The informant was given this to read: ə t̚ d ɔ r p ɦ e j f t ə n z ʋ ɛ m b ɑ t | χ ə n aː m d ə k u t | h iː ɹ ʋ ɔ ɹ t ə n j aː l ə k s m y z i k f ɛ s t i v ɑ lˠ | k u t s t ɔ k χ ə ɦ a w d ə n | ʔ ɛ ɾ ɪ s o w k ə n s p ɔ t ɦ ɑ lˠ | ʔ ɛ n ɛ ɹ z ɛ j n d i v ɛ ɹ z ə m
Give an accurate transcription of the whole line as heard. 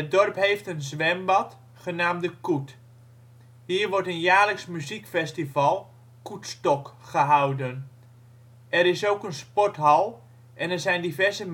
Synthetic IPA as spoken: ə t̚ d ɔ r p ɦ e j f t ə n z ʋ ɛ m b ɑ t | χ ə n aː m d ə k u t | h iː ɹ ʋ ɔ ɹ t ə n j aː l ə k s m y z i k f ɛ s t i v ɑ lˠ | k u t s t ɔ k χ ə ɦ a w d ə n | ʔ ɛ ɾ ɪ s o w k ə n s p ɔ t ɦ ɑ lˠ | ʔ ɛ n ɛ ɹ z ɛ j n d i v ɛ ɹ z ə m

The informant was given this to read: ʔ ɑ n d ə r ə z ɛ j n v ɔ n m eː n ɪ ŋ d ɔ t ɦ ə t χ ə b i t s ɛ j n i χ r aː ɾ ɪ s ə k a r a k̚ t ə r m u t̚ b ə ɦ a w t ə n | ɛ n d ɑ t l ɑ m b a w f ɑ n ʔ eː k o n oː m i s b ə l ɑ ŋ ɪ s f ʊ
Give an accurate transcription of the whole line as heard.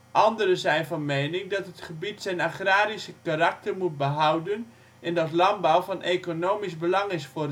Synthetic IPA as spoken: ʔ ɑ n d ə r ə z ɛ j n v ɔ n m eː n ɪ ŋ d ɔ t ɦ ə t χ ə b i t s ɛ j n a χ r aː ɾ i s ə k a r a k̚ t ə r m u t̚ b ə ɦ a w d ə n | ɛ n d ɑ t l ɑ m b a w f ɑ n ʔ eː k o n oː m i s b ə l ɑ ŋ ɪ s f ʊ

